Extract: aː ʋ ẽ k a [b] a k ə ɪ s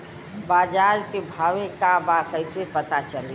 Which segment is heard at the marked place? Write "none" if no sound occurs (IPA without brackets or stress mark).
b